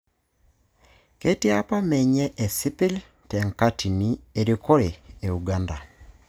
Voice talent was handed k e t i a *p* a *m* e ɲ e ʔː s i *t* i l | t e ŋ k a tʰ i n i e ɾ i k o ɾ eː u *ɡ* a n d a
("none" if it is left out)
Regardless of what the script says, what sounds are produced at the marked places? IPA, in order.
p, m, p, ɡ

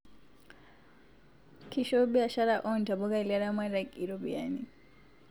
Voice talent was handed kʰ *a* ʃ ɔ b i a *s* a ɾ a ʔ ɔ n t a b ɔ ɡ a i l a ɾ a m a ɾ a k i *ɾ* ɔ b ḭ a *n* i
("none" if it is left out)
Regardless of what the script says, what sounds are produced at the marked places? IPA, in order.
i, ʃ, ɾ, n

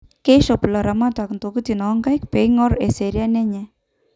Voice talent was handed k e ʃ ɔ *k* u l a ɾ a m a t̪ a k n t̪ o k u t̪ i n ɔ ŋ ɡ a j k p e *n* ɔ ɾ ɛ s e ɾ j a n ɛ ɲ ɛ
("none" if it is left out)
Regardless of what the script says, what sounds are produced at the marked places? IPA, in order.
p, ŋ

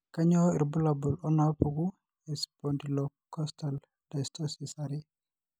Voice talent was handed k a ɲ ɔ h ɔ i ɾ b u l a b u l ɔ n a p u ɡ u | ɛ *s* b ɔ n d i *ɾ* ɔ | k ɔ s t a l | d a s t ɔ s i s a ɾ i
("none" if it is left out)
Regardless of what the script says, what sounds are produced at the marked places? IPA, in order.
s, l

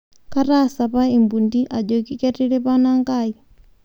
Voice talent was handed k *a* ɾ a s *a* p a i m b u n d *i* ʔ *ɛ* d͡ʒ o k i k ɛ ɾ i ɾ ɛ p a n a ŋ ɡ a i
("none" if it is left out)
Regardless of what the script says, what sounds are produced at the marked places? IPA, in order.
a, a, i, a

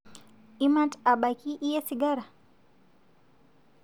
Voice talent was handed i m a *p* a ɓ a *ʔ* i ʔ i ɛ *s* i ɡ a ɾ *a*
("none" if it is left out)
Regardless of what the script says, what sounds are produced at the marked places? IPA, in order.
t, k, s, a

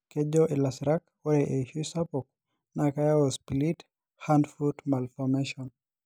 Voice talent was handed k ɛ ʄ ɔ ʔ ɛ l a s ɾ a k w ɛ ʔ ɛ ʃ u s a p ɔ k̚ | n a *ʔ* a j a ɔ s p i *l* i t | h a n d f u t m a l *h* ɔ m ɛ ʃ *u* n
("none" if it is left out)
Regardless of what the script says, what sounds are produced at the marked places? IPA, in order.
k, l, f, ɔ

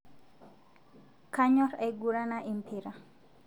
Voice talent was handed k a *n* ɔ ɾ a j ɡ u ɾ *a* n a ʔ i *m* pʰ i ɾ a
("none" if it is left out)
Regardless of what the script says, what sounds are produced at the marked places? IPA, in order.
ɲ, a, m

